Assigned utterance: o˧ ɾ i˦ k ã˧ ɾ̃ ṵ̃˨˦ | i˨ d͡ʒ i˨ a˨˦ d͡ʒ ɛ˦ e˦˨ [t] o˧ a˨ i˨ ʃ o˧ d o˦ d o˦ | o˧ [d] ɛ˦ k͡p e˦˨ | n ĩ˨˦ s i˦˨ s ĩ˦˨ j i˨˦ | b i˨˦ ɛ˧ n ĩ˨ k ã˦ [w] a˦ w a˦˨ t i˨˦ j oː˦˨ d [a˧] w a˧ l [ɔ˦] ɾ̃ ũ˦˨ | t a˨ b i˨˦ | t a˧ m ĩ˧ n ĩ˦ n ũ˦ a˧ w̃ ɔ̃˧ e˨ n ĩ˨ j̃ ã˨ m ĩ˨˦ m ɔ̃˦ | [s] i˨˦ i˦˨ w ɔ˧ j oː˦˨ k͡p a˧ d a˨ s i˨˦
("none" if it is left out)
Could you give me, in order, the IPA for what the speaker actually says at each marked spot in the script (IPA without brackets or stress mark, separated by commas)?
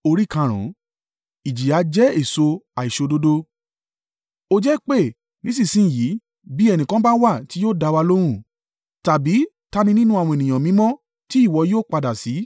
s, d͡ʒ, b, a˧, o˦, t